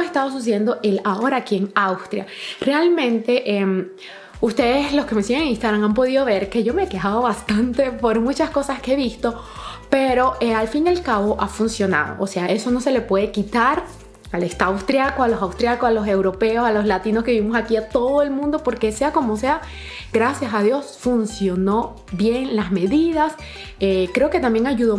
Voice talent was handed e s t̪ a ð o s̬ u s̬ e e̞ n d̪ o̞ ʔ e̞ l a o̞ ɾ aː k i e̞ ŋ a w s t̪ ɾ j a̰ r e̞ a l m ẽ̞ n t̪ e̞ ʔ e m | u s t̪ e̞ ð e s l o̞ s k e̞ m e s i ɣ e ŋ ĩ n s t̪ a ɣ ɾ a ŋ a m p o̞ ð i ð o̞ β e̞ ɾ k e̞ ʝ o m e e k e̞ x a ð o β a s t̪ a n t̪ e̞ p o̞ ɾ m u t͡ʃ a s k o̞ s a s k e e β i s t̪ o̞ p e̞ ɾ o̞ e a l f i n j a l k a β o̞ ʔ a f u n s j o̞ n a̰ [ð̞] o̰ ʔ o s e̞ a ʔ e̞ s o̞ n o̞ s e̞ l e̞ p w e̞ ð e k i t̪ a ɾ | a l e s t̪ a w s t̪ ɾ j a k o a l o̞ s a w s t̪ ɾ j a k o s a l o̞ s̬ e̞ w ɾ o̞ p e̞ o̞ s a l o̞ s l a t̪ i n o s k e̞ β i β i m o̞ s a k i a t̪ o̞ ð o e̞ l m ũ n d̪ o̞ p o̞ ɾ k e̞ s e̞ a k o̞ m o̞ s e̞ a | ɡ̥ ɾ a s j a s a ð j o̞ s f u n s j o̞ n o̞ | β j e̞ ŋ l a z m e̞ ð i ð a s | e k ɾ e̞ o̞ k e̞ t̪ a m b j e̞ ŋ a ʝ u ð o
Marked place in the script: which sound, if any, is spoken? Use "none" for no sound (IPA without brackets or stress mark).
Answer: ð̞